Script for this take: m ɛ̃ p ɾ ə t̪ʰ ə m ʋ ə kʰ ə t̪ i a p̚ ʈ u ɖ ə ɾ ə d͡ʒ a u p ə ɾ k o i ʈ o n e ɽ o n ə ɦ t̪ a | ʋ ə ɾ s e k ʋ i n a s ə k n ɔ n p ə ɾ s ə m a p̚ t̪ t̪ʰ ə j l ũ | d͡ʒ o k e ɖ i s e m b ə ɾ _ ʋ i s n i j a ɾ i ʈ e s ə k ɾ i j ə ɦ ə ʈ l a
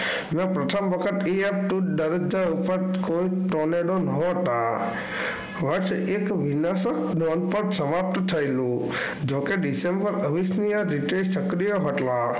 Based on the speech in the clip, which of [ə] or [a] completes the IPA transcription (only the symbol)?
ə